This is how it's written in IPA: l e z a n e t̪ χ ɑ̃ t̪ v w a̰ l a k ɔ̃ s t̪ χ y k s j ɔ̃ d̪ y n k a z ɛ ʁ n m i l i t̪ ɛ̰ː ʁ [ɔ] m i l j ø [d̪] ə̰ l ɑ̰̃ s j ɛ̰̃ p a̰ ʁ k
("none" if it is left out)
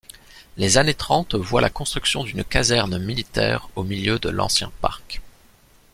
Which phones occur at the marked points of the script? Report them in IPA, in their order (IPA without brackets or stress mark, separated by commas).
o, d̪